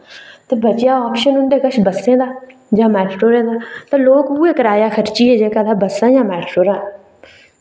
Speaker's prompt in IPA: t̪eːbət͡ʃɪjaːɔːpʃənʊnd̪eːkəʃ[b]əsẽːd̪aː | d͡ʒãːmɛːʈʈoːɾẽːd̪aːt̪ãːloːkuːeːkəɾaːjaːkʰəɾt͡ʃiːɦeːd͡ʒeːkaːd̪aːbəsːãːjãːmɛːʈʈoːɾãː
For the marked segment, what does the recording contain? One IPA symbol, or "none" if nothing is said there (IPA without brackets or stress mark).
b